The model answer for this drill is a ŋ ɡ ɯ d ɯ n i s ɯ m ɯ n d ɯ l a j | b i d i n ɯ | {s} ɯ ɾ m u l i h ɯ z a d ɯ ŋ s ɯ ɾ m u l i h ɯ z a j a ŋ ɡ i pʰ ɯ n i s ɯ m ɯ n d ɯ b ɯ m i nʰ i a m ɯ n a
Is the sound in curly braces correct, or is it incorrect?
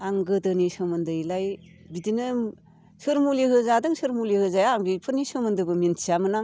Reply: correct